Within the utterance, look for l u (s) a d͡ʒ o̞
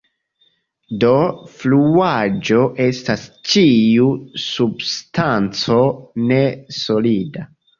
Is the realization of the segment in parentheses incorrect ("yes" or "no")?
yes